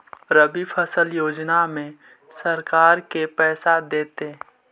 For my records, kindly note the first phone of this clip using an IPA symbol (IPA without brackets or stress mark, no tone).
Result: ɾ